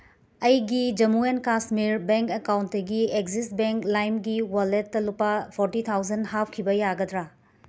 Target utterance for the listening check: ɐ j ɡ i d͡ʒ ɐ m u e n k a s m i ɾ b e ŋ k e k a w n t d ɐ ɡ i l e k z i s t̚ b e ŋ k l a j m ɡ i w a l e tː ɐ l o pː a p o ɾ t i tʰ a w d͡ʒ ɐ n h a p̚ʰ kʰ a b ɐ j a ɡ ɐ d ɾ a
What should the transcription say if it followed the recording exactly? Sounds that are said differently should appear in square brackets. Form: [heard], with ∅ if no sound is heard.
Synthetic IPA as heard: ɐ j ɡ i d͡ʒ ɐ m u e n k a s m i ɾ b e ŋ k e k a w n t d ɐ ɡ i [∅] e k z i s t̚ b e ŋ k l a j m ɡ i w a l e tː ɐ l [u] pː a [pʰ] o ɾ t i tʰ a w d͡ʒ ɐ n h a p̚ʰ kʰ [i] b ɐ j a ɡ ɐ d ɾ a